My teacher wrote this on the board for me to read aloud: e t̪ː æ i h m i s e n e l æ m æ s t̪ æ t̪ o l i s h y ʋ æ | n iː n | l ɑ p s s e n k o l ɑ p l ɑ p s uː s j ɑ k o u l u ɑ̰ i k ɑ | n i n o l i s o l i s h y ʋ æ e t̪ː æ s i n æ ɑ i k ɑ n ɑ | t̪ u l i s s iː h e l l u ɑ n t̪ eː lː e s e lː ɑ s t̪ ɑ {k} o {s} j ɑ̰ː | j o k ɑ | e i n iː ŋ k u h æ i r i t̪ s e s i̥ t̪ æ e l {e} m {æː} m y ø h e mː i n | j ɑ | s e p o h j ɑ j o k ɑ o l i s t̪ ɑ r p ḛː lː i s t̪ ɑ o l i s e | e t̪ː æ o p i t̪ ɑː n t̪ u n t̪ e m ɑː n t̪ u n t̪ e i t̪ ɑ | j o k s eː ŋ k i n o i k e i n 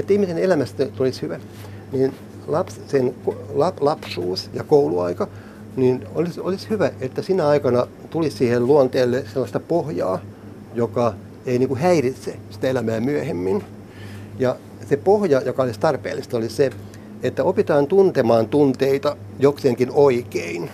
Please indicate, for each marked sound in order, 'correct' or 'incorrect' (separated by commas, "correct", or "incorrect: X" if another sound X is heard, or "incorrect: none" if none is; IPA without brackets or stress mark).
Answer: incorrect: p, incorrect: h, incorrect: æ, correct